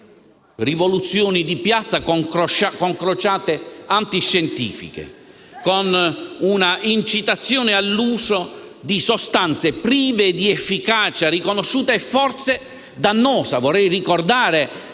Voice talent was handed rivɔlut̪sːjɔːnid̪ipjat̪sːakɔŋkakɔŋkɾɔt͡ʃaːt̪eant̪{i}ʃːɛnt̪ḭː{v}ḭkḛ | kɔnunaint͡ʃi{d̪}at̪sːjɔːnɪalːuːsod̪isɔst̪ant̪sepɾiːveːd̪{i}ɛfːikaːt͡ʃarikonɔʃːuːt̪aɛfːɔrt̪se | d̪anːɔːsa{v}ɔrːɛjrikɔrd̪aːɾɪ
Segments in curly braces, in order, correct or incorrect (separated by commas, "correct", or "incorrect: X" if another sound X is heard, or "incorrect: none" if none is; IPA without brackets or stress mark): correct, incorrect: f, incorrect: t̪, correct, correct